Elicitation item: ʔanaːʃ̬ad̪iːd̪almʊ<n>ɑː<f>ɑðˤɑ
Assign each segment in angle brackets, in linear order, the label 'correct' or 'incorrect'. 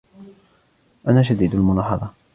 correct, incorrect: ħ

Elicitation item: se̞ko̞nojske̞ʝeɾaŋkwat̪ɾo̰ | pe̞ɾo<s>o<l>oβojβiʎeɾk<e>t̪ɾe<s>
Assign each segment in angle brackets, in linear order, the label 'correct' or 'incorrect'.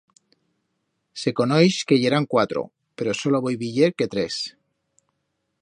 correct, correct, correct, correct

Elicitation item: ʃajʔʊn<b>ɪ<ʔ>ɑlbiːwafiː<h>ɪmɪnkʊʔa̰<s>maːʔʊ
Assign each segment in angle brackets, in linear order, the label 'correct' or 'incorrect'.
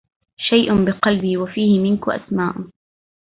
correct, incorrect: q, correct, correct

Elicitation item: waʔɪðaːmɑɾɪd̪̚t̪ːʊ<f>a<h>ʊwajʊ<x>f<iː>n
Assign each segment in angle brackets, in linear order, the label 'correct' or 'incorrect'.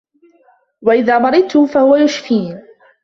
correct, correct, incorrect: ʃ, correct

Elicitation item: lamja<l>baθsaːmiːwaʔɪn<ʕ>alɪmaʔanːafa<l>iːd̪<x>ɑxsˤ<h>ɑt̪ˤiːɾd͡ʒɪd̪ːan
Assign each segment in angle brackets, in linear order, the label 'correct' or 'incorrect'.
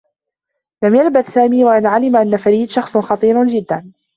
correct, correct, incorrect: ɾ, incorrect: ʃ, incorrect: x

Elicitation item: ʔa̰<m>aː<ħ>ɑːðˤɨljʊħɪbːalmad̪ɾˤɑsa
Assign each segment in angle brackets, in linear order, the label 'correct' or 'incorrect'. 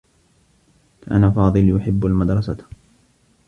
incorrect: n, incorrect: f

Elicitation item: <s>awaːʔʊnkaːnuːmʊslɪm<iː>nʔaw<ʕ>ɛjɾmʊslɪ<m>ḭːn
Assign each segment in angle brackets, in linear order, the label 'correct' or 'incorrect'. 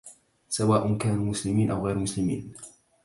correct, correct, incorrect: ɣ, correct

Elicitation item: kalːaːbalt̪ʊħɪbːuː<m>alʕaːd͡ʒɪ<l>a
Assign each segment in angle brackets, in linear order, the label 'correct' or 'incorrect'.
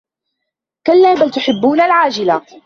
incorrect: n, correct

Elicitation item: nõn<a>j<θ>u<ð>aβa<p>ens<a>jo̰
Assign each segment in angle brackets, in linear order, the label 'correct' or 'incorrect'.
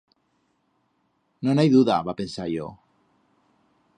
correct, incorrect: ð, correct, correct, correct

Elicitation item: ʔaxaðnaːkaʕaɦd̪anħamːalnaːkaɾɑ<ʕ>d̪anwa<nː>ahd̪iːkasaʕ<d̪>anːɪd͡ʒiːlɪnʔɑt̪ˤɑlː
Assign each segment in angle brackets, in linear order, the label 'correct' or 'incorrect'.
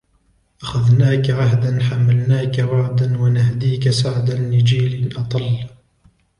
correct, incorrect: n, correct

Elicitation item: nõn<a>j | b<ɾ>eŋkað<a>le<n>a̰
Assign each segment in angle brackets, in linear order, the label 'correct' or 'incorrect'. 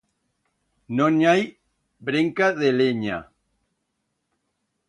correct, correct, incorrect: e, incorrect: ɲ

